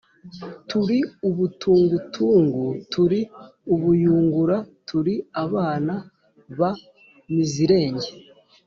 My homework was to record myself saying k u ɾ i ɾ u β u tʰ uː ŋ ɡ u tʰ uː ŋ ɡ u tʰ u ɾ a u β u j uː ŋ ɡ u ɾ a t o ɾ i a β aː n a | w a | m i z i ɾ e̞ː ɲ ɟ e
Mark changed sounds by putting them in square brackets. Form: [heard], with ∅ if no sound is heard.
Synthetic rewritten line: [t] u ɾ i [∅] u β u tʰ uː ŋ ɡ u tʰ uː ŋ ɡ u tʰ u ɾ [i] u β u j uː ŋ ɡ u ɾ a t [u] ɾ i a β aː n a | [β] a | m i z i ɾ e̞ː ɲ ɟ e